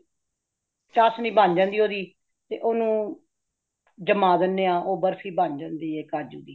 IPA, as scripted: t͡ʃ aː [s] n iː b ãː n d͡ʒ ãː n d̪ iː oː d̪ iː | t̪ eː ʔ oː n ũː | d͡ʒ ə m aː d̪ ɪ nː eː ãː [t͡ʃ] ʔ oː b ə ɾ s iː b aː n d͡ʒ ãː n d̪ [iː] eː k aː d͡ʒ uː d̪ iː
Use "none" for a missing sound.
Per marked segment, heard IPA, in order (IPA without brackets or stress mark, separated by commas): s, none, iː